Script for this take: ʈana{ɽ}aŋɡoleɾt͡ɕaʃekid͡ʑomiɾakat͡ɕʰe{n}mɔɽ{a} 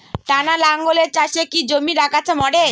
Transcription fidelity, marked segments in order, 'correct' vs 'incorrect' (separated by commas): incorrect, incorrect, incorrect